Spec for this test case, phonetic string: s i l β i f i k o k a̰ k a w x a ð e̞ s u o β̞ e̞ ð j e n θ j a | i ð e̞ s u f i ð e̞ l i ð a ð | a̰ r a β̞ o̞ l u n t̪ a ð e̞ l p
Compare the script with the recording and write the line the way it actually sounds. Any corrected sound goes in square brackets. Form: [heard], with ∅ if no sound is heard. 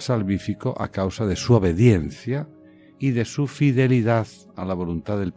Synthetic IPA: s [a] l β i f i k o [ʔ] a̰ k a w [s] a ð e̞ s u o β̞ e̞ ð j e n θ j a | i ð e̞ s u f i ð e̞ l i ð a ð | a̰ [l] a β̞ o̞ l u n t̪ a ð e̞ l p